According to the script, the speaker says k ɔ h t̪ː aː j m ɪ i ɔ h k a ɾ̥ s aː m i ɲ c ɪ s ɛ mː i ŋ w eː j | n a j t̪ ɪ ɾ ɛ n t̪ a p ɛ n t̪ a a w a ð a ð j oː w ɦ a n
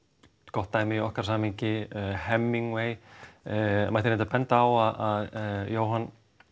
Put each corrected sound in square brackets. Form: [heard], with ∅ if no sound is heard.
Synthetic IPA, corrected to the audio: k ɔ h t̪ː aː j m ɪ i ɔ h k a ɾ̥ s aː m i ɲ c ɪ [h] ɛ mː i ŋ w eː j | [m] a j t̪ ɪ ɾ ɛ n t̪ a p ɛ n t̪ a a w a ð a ð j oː w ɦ a n